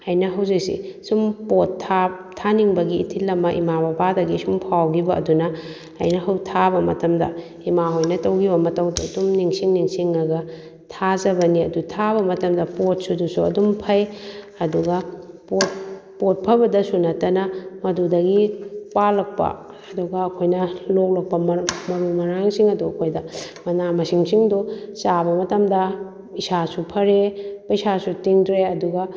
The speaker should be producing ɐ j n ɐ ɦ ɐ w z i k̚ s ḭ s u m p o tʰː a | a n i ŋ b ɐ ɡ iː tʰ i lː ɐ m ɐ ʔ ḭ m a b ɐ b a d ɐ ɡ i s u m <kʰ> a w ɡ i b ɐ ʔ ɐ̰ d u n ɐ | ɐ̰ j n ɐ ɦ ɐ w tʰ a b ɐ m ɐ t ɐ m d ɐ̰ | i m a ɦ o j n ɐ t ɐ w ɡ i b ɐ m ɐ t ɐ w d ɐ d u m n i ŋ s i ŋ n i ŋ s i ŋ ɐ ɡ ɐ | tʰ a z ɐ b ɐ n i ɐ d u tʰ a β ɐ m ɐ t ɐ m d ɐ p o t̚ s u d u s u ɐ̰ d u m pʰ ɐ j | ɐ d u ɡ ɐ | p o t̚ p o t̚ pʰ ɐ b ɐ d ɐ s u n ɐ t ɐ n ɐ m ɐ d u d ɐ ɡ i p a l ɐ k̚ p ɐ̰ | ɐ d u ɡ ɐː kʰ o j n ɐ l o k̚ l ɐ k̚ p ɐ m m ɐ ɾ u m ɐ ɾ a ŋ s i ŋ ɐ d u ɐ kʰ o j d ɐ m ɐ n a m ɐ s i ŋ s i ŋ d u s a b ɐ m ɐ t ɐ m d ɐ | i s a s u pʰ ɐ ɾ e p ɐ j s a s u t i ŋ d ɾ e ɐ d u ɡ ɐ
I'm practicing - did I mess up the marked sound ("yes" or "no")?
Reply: yes